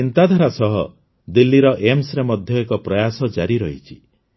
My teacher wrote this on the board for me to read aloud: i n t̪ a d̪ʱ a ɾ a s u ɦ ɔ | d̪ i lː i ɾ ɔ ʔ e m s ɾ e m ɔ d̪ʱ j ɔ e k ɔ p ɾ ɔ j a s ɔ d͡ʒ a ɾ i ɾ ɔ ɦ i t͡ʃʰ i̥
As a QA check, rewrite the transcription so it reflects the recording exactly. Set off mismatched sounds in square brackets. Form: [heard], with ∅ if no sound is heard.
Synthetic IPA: i n t̪ a d̪ʱ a ɾ a s [ɔ] ɦ ɔ | d̪ i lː i ɾ ɔ ʔ e m s ɾ e m ɔ d̪ʱ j ɔ e k ɔ p ɾ ɔ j a s ɔ d͡ʒ a ɾ i ɾ ɔ ɦ i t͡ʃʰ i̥

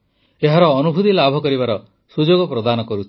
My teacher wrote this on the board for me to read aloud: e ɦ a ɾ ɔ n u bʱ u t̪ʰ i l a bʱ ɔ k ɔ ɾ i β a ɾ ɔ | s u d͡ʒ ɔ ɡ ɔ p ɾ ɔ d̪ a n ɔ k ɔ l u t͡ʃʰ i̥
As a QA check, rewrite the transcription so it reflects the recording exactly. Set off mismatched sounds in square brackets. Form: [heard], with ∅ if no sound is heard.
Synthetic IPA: e ɦ a ɾ [ɔː] n u bʱ u [t̪] i l a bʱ ɔ k ɔ ɾ i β a ɾ ɔ | s u d͡ʒ [o] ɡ ɔ p ɾ ɔ d̪ a n ɔ k ɔ [ɾ] u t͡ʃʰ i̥

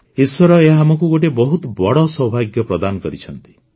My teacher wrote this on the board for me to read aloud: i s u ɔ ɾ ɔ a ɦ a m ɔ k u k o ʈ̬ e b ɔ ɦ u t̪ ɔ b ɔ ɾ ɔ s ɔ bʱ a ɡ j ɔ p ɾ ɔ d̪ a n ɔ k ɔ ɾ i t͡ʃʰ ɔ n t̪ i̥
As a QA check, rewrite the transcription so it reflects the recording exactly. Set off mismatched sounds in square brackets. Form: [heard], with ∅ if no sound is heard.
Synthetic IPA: i s [w] ɔ ɾ ɔ [e] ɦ a m ɔ k u [ɡ] o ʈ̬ e b ɔ ɦ u t̪ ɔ b ɔ [ɽ] ɔ s ɔ bʱ a ɡ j ɔ p ɾ ɔ d̪ a n ɔ k ɔ ɾ i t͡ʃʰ ɔ n t̪ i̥

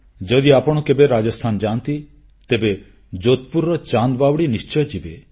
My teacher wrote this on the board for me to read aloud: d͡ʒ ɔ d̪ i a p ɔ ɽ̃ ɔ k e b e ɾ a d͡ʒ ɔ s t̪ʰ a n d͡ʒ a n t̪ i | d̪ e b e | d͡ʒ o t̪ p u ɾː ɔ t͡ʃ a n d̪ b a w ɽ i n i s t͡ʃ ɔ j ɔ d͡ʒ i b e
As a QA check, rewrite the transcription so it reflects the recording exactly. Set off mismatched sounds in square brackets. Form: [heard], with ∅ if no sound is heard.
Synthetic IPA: d͡ʒ ɔ d̪ i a p ɔ ɽ̃ ɔ k e b e ɾ a d͡ʒ ɔ s t̪ʰ a n d͡ʒ a n t̪ i | [t̪] e b e | d͡ʒ o t̪ p u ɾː ɔ t͡ʃ a n d̪ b a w ɽ i n i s t͡ʃ ɔ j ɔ d͡ʒ i b e

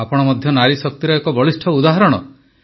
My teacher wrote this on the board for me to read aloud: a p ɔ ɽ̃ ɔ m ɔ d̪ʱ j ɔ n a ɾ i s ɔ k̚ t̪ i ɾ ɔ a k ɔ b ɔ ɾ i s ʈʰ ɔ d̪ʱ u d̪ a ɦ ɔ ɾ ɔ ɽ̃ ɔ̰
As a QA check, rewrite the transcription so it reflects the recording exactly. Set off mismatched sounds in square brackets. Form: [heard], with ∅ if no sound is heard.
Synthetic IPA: a p ɔ ɽ̃ ɔ m ɔ d̪ʱ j ɔ n a ɾ i s ɔ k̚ t̪ i ɾ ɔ [e] k ɔ b ɔ [ɭ] i s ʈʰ ɔ [∅] u d̪ a ɦ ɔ ɾ ɔ ɽ̃ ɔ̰

